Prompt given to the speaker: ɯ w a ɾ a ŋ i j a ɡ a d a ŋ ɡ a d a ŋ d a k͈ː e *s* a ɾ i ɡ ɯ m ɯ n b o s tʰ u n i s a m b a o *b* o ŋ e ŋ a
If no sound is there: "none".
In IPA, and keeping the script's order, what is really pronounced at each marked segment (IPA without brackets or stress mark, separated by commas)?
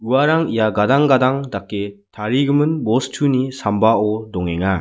t, d